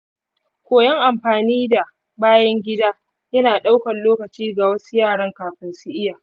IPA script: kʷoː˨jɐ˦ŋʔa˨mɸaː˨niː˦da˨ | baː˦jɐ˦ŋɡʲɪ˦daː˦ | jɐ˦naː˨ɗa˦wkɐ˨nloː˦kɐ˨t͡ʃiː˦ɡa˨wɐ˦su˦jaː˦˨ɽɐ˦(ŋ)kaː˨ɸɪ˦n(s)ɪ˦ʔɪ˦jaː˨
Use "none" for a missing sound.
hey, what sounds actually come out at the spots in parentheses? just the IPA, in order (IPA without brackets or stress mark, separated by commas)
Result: ŋ, s